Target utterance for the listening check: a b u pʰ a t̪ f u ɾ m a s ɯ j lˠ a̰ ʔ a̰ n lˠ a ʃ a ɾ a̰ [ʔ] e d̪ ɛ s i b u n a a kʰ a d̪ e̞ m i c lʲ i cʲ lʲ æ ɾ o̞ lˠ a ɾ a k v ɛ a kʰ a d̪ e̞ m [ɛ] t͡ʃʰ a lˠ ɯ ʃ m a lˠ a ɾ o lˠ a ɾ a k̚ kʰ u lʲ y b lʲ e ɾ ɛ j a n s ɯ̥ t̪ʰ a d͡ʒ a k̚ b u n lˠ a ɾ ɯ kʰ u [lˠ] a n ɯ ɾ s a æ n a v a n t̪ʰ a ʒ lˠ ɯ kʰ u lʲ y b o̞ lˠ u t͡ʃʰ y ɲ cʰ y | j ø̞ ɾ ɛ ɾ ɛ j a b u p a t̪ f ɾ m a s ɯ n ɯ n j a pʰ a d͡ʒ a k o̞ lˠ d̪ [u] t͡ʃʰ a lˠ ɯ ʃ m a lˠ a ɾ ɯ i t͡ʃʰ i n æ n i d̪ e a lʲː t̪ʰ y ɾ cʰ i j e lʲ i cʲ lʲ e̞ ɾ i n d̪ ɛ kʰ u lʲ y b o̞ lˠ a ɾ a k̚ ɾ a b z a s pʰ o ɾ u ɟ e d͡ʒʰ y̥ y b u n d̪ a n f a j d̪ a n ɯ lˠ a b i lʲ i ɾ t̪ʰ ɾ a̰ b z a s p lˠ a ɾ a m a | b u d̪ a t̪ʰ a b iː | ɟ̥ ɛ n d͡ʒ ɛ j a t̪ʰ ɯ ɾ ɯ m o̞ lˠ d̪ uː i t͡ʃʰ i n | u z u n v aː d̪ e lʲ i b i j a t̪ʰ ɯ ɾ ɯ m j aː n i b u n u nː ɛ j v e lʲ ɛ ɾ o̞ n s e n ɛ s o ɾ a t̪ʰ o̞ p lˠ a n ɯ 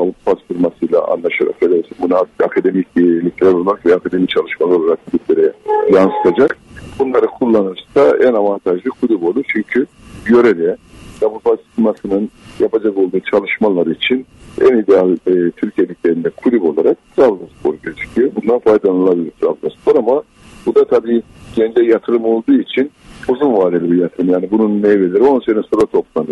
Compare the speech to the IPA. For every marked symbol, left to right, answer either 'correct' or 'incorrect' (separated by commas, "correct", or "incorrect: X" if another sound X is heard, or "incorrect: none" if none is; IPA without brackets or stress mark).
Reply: incorrect: k, incorrect: i, incorrect: lˠː, incorrect: uː